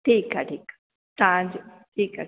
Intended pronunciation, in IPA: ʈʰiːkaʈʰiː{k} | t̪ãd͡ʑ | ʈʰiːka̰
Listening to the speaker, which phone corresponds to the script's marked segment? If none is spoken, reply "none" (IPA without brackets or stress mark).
k